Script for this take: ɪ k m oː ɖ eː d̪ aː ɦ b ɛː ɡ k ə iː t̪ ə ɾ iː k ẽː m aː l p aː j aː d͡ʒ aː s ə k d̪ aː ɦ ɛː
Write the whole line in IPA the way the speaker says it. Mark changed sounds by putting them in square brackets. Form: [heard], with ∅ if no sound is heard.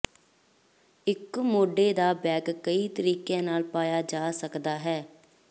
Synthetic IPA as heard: ɪ k m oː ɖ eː d̪ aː [∅] b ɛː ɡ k ə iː t̪ ə ɾ iː k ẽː [n] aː l p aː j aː d͡ʒ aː s ə k d̪ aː ɦ ɛː